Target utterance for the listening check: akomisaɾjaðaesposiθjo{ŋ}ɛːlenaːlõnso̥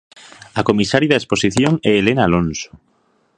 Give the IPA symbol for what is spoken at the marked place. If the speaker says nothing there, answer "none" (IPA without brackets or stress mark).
ŋ